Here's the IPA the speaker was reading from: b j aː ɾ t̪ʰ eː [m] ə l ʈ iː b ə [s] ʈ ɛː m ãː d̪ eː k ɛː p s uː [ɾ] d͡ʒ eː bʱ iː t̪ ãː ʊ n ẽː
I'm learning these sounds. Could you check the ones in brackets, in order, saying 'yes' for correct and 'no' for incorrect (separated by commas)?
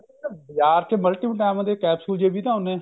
yes, no, no